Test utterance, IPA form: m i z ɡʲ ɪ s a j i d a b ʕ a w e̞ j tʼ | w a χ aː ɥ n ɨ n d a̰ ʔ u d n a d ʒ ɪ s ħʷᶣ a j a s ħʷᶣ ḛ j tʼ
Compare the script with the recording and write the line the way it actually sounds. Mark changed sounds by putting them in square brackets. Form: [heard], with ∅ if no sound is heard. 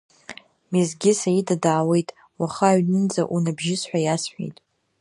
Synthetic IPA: m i z ɡʲ ɪ s a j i d a [d] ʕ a w e̞ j tʼ | w a χ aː ɥ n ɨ n [d͡z] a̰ ʔ u [∅] n a [b] ʒ ɪ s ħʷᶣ a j a s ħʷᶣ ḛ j tʼ